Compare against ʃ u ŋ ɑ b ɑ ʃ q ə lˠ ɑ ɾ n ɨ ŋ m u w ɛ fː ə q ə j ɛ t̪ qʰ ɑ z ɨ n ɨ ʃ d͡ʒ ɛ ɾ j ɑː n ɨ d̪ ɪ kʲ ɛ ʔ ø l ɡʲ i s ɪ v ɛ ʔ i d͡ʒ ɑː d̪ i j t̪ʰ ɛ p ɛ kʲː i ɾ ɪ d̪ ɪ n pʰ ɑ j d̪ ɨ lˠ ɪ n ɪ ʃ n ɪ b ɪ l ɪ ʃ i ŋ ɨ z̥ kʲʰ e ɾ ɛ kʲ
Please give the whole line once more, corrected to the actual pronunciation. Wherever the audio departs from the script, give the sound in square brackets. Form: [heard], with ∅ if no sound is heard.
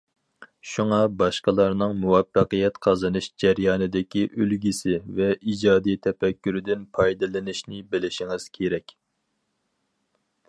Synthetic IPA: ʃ u ŋ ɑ b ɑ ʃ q ə lˠ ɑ ɾ n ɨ ŋ m u w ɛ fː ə q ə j ɛ t̪ qʰ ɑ z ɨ n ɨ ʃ d͡ʒ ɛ ɾ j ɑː n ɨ d̪ ɪ kʲ [i] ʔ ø l ɡʲ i s ɪ v ɛ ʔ i d͡ʒ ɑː d̪ i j t̪ʰ ɛ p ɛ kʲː [y] ɾ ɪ d̪ ɪ n pʰ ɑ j d̪ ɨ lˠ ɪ n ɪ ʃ n ɪ b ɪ l ɪ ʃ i ŋ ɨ z̥ kʲʰ e ɾ ɛ kʲ